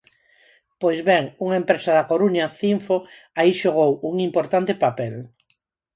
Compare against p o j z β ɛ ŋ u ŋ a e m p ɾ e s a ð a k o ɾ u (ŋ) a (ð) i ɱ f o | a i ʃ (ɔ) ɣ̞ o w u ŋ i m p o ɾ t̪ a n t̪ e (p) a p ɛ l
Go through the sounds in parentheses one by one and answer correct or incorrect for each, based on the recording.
incorrect, incorrect, incorrect, correct

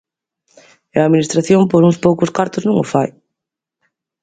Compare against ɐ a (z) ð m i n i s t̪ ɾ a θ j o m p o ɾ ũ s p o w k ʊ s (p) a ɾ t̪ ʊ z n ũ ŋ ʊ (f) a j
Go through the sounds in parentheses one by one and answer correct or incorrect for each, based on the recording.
incorrect, incorrect, correct

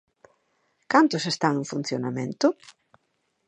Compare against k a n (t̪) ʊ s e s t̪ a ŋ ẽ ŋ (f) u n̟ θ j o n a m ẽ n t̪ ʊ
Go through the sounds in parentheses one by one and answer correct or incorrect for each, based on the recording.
correct, correct

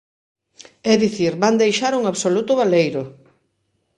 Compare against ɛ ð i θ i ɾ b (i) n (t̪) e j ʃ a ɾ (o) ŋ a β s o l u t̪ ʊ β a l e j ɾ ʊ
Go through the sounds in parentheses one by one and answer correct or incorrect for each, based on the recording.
incorrect, incorrect, incorrect

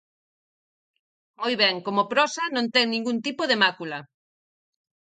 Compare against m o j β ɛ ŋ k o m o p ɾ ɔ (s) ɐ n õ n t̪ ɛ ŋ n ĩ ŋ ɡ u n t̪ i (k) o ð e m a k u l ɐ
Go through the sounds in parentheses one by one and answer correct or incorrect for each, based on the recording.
correct, incorrect

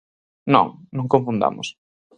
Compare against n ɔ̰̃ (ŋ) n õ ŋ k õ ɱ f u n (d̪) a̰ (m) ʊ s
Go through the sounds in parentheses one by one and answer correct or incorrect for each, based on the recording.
correct, correct, correct

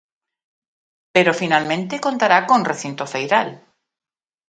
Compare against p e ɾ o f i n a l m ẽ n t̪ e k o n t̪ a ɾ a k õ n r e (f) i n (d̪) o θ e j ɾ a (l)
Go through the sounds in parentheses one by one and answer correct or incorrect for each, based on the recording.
incorrect, incorrect, correct

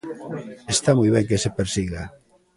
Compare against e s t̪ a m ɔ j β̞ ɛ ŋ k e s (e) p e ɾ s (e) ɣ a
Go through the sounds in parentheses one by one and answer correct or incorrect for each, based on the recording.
correct, incorrect

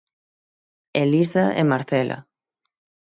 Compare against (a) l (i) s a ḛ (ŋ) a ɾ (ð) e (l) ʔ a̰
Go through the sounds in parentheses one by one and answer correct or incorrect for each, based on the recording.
incorrect, correct, incorrect, incorrect, correct

